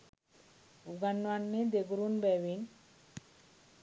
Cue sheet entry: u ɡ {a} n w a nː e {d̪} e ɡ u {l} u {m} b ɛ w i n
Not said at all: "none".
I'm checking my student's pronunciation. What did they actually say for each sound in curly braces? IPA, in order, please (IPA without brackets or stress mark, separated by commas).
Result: a, d̪, ɾ, n